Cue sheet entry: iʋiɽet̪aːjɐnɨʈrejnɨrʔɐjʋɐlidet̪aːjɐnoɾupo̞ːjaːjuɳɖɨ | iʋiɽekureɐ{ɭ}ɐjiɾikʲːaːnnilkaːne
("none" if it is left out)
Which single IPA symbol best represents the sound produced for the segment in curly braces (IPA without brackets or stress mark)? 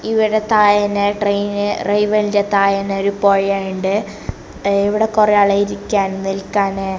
ɭ